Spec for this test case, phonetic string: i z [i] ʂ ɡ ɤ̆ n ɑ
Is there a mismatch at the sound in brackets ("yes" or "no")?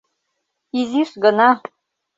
no